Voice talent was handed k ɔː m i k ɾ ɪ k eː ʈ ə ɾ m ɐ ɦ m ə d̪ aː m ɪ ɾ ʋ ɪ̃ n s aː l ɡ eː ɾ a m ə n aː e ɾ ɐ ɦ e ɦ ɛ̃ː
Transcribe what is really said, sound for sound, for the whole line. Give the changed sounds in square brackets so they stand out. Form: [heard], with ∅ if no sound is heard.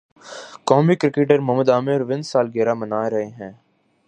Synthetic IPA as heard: k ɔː m i k ɾ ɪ k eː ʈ ə ɾ m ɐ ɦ m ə d̪ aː m ɪ ɾ ʋ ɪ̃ n s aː l ɡ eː ɾ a m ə n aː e ɾ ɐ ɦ e ɦ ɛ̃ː

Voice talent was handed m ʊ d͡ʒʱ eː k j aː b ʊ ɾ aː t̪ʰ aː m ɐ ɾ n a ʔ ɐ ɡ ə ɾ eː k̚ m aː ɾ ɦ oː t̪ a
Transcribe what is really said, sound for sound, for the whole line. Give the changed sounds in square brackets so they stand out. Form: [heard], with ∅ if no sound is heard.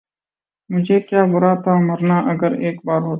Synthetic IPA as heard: m ʊ d͡ʒʱ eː k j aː b ʊ ɾ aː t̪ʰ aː m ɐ ɾ n a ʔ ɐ ɡ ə ɾ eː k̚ [b] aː ɾ ɦ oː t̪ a

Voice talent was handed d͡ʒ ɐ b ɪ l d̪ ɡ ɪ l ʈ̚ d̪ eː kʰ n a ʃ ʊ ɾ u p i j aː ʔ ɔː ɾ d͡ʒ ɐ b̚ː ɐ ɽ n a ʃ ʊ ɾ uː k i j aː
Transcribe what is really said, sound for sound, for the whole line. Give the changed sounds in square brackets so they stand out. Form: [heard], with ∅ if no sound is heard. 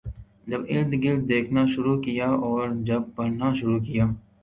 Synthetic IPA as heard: d͡ʒ ɐ b ɪ l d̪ ɡ ɪ l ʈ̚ d̪ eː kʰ n a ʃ ʊ ɾ u [k] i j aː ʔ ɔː ɾ d͡ʒ ɐ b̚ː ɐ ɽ n a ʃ ʊ ɾ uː k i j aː

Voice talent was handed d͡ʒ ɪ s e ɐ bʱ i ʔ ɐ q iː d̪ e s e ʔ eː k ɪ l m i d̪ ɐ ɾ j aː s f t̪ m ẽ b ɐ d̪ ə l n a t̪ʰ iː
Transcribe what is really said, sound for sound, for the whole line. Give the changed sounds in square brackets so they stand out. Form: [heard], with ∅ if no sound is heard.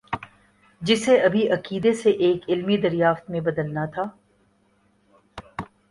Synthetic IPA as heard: d͡ʒ ɪ s e ɐ bʱ i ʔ ɐ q iː d̪ e s e ʔ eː k ɪ l m i d̪ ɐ ɾ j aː [∅] f t̪ m ẽ b ɐ d̪ ə l n a t̪ʰ [aː]

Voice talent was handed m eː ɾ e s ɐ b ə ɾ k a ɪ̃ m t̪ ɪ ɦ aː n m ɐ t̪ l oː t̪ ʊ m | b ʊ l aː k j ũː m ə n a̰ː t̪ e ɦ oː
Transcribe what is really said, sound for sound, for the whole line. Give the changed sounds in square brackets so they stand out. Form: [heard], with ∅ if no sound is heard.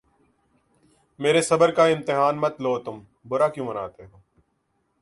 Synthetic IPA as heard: m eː ɾ e s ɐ b ə ɾ k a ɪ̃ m t̪ ɪ ɦ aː n m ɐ t̪ l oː t̪ ʊ m | b ʊ [ɾ] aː k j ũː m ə n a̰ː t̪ e ɦ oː

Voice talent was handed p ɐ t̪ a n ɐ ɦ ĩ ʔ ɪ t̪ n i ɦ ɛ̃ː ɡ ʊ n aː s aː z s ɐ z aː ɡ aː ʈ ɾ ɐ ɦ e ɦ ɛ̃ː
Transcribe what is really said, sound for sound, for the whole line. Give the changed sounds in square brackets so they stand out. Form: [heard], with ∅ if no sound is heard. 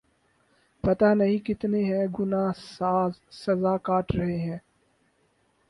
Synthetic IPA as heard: p ɐ t̪ a n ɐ ɦ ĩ [k] ɪ t̪ n [e] ɦ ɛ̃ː ɡ ʊ n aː s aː z s ɐ z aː [k] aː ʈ ɾ ɐ ɦ e ɦ ɛ̃ː

